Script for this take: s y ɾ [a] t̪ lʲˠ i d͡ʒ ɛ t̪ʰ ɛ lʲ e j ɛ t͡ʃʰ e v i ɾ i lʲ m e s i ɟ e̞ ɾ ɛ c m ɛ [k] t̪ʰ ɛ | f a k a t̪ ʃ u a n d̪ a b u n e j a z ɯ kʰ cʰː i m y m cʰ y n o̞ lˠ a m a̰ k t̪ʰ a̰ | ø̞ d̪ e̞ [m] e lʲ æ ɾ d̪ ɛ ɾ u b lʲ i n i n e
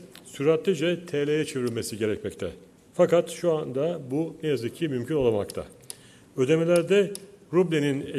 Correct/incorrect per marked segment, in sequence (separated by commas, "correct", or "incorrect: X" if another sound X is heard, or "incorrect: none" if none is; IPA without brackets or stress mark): correct, incorrect: c, correct